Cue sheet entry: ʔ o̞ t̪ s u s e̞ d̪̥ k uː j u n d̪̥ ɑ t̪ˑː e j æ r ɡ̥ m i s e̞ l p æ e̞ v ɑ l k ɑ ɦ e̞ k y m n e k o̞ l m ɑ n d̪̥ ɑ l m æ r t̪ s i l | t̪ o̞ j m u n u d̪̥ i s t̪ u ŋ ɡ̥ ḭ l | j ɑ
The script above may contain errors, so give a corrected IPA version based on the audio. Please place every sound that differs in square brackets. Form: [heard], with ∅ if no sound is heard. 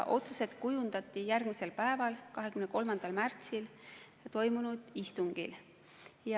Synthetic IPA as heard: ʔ o̞ t̪ s u s e̞ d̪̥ k [u] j u n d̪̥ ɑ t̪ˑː [i] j æ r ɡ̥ m i s e̞ l p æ e̞ v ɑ l k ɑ ɦ e̞ k y m n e k o̞ l m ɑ n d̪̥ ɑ l m æ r t̪ s i l | t̪ o̞ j m u n u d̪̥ i s t̪ u ŋ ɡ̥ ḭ l | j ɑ